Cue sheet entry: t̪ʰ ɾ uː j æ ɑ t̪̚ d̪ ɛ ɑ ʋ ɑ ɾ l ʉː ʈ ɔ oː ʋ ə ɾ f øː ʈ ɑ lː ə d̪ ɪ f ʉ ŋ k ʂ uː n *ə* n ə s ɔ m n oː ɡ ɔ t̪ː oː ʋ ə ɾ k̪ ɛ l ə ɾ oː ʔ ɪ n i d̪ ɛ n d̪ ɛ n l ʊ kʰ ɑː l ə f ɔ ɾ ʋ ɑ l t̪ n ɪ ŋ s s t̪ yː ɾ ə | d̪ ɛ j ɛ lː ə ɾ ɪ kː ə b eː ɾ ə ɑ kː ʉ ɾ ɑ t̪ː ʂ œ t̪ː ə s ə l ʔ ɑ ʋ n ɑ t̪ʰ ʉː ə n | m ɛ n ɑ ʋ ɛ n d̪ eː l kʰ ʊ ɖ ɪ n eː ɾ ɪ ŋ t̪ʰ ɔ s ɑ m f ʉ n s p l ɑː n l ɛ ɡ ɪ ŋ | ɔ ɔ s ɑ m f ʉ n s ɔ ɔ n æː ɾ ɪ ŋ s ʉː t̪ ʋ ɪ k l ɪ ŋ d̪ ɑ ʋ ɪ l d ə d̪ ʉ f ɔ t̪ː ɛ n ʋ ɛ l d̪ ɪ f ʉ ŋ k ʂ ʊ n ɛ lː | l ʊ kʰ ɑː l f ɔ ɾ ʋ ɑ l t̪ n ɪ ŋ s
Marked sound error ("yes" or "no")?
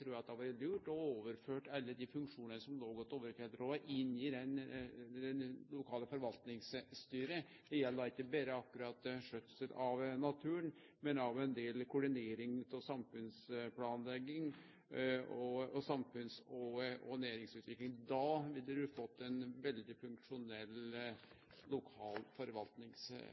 no